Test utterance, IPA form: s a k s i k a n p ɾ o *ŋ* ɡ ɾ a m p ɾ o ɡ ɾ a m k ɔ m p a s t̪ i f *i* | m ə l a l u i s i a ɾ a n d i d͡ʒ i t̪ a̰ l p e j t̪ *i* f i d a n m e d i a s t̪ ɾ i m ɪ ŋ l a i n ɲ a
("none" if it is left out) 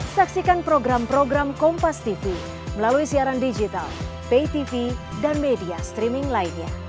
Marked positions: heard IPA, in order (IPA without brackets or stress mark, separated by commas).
none, i, i